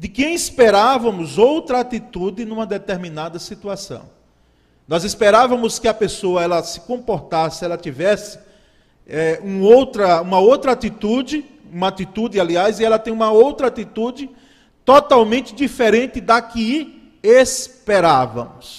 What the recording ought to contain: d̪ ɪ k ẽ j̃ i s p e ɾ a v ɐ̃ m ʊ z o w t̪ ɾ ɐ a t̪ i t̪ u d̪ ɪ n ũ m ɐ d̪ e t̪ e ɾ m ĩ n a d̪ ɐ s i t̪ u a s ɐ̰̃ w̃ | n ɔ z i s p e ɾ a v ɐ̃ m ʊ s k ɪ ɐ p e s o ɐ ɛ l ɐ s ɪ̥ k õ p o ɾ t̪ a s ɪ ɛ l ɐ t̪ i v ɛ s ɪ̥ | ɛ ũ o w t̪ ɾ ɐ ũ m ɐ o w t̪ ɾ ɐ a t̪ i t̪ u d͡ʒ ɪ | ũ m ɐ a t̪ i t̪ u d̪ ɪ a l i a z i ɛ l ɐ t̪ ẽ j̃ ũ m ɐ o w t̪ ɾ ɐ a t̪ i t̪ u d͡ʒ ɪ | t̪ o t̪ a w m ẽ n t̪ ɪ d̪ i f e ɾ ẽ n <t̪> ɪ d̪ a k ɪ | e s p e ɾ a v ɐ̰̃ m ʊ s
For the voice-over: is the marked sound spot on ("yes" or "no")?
yes